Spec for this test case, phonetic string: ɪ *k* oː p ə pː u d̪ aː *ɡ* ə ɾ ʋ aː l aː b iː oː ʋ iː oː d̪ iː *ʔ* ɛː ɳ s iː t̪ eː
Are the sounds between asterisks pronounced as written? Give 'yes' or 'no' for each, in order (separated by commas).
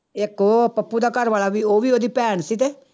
yes, no, no